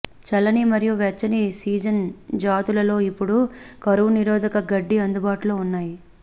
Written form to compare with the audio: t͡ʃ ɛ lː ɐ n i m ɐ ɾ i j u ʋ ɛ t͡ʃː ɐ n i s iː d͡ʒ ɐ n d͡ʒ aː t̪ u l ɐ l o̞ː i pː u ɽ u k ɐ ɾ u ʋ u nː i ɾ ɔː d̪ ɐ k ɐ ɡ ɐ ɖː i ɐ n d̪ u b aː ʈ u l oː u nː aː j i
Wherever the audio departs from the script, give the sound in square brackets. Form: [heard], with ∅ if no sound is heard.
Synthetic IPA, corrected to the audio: t͡ʃ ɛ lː ɐ n i m ɐ ɾ i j u ʋ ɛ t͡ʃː ɐ n i s iː d͡ʒ ɐ n d͡ʒ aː t̪ u l ɐ l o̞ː i pː u ɽ u k ɐ ɾ u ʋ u [n] i ɾ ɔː d̪ ɐ k ɐ ɡ ɐ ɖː i ɐ n d̪ u b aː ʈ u l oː u nː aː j i